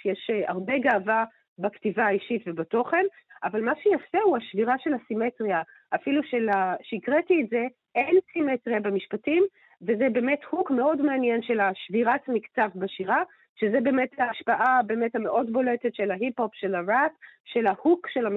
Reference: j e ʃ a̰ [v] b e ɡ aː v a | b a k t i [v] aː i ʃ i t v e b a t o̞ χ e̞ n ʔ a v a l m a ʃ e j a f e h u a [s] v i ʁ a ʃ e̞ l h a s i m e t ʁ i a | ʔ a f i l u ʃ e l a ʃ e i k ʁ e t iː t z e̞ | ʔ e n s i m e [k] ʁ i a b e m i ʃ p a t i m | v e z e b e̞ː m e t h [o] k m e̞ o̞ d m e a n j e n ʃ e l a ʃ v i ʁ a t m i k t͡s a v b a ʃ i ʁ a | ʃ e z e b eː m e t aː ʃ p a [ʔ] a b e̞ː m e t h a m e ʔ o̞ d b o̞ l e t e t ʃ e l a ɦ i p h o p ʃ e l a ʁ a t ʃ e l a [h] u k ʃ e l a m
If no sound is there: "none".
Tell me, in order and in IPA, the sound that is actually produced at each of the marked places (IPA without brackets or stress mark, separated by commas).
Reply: ʁ, v, ʃ, t, u, ʔ, h